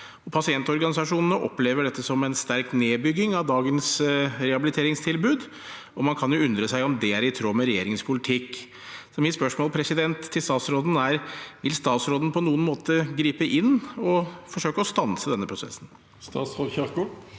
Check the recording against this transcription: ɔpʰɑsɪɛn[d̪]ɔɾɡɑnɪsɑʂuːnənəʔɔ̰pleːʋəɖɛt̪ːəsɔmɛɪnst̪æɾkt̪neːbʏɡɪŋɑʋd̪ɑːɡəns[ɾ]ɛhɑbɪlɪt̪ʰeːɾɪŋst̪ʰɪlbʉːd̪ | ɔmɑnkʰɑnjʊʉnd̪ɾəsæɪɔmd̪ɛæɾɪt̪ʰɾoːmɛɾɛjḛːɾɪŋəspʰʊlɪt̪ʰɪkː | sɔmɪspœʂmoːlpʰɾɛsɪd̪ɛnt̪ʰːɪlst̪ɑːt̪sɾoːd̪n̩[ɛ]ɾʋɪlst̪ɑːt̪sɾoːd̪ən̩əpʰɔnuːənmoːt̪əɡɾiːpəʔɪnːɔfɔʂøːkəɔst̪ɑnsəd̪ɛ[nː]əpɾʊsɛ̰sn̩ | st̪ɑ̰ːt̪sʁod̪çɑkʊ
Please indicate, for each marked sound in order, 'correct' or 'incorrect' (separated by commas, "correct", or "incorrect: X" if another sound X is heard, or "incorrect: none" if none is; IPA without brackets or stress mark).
incorrect: t̪, correct, incorrect: æ, correct